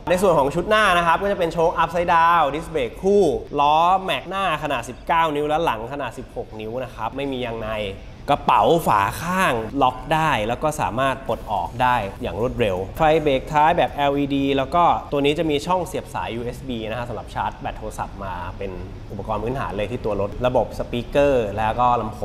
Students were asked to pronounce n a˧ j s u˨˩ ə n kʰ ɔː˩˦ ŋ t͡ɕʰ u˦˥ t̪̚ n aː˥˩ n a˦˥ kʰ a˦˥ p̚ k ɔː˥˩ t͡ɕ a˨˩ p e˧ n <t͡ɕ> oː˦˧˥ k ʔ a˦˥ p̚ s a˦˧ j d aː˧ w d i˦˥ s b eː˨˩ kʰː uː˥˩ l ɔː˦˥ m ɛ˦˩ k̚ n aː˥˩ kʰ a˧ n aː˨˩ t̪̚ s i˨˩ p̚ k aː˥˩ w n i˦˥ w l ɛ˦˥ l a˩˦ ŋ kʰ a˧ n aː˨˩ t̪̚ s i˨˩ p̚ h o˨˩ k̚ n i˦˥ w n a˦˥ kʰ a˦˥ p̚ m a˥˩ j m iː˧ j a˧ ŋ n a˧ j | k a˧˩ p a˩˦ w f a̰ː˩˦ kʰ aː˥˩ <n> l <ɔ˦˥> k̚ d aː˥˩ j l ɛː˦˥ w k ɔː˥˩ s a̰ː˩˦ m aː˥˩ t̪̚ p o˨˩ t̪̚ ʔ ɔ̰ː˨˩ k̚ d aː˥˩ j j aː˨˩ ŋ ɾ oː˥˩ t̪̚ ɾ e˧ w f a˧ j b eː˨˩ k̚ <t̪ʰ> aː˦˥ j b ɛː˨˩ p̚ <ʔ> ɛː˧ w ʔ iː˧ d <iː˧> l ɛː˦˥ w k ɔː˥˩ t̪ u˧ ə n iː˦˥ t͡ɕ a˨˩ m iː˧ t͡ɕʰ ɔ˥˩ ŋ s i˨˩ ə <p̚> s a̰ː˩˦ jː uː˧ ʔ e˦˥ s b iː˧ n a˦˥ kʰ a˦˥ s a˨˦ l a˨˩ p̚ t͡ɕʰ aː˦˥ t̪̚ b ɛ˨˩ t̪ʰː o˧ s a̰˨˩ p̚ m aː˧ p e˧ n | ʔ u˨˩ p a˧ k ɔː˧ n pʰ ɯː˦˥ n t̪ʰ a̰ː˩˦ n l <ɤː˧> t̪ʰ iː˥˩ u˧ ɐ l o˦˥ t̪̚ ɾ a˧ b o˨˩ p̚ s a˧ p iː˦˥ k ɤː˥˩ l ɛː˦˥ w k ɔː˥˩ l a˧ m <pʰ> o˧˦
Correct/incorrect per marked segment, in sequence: incorrect: t͡ɕʰ, incorrect: ŋ, correct, correct, correct, correct, correct, correct, correct

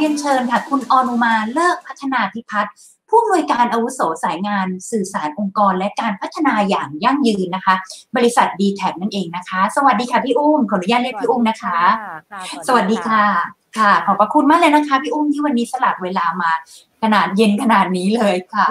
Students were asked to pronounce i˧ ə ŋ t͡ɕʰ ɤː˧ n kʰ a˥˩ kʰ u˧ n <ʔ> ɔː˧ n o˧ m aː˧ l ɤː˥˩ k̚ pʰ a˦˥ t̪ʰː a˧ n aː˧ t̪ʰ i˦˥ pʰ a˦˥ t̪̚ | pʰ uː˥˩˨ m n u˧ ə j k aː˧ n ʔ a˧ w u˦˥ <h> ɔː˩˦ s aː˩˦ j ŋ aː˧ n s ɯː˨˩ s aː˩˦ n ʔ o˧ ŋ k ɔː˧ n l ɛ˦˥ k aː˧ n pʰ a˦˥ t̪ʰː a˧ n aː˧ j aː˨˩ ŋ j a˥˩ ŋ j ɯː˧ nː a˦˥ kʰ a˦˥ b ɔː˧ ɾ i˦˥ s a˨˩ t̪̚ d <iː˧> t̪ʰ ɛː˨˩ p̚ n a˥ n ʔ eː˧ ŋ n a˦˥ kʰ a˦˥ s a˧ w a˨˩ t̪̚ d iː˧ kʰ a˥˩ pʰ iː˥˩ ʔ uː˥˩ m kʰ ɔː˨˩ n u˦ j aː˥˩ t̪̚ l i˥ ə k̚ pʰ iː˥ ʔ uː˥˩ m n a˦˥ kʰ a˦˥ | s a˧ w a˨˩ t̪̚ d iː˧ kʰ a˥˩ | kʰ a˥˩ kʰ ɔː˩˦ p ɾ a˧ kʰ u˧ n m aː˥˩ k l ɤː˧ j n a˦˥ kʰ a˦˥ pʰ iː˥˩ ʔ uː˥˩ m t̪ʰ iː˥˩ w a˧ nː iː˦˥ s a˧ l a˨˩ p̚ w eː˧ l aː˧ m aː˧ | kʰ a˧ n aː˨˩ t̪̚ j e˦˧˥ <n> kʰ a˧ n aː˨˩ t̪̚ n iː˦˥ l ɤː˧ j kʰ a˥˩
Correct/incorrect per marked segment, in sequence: correct, incorrect: s, correct, correct

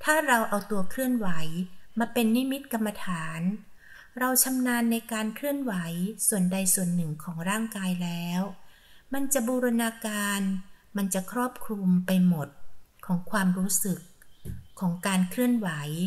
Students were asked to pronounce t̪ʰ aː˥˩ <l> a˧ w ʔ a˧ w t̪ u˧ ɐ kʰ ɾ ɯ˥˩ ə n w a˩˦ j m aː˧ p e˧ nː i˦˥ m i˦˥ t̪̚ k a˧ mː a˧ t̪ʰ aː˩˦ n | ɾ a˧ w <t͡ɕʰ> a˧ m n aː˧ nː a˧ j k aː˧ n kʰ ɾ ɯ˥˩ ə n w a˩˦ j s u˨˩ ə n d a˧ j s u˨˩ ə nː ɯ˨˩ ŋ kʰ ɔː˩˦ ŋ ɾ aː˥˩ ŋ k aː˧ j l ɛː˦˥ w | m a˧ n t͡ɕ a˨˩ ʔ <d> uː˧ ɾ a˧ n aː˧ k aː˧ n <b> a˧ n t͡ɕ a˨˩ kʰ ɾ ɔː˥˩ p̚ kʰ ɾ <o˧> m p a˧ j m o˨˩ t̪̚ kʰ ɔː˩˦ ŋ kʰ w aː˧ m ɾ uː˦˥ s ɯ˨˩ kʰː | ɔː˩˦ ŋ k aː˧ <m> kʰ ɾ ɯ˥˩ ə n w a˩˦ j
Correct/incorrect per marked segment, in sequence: incorrect: ɾ, correct, incorrect: b, incorrect: m, incorrect: u˧, incorrect: n

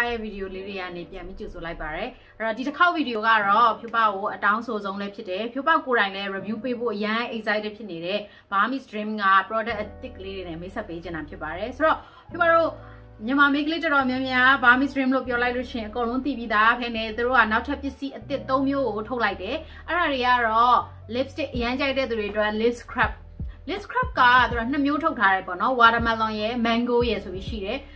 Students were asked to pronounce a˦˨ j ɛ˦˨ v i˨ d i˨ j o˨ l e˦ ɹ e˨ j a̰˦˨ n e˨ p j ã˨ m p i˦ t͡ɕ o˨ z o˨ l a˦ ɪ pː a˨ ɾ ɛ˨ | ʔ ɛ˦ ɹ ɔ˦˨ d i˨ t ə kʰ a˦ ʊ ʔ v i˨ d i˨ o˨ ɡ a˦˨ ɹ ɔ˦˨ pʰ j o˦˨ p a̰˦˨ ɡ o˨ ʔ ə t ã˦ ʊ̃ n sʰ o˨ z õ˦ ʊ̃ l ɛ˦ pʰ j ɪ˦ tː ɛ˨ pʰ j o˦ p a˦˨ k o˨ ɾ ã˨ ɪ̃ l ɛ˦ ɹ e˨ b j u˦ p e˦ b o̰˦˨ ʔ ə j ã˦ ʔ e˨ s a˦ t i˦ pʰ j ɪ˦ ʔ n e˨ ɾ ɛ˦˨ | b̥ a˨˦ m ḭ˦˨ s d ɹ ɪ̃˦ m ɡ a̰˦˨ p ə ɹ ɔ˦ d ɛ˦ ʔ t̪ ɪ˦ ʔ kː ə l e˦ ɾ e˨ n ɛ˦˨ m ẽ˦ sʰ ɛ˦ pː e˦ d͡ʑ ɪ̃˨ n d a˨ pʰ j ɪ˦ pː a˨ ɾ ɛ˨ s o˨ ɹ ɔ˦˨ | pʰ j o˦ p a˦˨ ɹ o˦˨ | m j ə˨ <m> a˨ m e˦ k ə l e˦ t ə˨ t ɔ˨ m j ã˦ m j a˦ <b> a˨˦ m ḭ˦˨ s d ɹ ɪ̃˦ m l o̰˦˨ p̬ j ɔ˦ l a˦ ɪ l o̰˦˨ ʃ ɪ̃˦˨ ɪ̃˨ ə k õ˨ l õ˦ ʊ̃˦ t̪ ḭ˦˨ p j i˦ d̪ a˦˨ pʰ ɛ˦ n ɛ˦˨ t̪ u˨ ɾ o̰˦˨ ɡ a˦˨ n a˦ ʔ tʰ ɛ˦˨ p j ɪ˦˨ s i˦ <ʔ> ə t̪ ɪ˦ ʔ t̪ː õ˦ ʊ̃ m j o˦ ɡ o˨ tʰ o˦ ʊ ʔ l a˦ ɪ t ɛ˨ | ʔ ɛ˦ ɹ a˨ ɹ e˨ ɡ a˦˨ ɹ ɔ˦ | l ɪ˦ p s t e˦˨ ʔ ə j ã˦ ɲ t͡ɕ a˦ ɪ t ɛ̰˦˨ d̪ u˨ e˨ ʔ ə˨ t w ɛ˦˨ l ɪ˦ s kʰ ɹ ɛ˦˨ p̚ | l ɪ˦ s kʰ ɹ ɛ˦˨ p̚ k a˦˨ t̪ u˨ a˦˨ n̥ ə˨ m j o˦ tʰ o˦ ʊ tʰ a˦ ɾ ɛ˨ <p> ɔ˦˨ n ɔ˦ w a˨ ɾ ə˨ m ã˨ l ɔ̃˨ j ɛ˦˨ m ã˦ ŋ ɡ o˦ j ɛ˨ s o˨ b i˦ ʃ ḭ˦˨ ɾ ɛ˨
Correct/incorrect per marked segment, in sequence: correct, correct, correct, correct

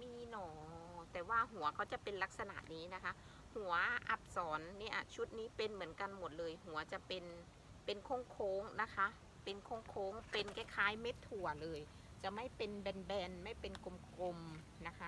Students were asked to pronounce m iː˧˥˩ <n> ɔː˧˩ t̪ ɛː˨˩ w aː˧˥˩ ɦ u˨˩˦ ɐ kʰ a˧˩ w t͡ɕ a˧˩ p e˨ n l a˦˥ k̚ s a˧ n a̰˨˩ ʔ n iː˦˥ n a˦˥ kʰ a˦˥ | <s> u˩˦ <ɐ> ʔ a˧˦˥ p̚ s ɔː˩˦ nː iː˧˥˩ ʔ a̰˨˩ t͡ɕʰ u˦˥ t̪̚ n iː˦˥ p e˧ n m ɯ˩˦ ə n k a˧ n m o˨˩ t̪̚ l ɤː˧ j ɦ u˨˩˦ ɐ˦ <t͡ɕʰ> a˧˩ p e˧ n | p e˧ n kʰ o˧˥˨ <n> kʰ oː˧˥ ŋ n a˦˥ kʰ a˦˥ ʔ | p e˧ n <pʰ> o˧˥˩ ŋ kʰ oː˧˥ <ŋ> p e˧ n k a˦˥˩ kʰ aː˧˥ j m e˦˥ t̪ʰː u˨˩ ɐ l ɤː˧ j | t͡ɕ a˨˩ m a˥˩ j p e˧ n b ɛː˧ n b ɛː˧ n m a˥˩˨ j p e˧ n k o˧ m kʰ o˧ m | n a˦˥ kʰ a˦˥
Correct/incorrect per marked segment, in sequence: correct, incorrect: h, correct, incorrect: t͡ɕ, incorrect: ŋ, incorrect: kʰ, correct

